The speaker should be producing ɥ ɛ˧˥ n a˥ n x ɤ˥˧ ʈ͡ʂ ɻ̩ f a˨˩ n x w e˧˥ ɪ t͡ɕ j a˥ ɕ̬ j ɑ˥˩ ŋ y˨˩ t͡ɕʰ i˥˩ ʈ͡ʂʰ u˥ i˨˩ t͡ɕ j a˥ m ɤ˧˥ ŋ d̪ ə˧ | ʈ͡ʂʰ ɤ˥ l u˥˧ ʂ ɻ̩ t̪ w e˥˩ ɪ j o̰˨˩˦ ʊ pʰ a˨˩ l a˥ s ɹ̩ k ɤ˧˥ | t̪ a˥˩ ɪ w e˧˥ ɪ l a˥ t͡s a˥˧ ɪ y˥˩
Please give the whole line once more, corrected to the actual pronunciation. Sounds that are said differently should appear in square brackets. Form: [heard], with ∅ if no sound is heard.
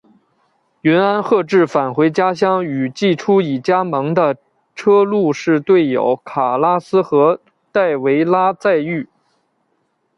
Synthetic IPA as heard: ɥ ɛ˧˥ n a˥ n x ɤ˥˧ ʈ͡ʂ ɻ̩ f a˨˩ n x w e˧˥ ɪ t͡ɕ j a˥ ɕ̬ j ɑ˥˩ ŋ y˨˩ [t͡ɕ] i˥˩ ʈ͡ʂʰ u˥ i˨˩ t͡ɕ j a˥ m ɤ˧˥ ŋ d̪ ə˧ | ʈ͡ʂʰ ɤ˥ l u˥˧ ʂ ɻ̩ t̪ w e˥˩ ɪ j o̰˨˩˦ ʊ [kʰ] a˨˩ l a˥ s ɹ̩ [x] ɤ˧˥ | t̪ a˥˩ ɪ w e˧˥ ɪ l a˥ t͡s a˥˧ ɪ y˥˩